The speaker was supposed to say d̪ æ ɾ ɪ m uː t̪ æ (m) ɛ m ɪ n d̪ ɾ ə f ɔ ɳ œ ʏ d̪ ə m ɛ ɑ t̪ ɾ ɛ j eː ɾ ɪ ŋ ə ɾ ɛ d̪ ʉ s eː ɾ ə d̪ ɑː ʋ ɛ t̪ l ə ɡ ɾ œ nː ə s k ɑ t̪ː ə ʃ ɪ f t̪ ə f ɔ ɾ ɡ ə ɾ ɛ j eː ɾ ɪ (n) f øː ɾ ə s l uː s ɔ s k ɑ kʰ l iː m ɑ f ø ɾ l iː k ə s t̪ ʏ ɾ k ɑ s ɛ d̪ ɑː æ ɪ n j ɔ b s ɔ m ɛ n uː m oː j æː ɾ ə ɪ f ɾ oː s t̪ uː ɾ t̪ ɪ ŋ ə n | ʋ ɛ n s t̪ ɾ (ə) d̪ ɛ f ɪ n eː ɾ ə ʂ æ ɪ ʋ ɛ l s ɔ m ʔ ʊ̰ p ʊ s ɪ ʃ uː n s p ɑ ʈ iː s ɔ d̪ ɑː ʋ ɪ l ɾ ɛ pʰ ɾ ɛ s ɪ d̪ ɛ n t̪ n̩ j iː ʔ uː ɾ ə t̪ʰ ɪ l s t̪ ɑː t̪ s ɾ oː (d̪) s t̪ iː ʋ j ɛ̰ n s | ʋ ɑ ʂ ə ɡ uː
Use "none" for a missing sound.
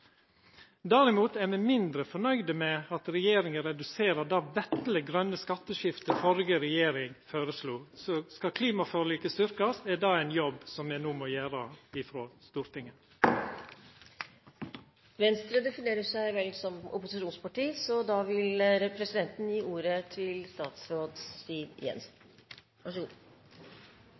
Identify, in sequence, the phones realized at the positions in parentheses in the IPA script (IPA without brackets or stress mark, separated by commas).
m, ŋ, ə, d̪